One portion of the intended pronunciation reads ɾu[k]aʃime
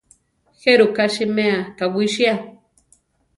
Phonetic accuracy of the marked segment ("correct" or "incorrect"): correct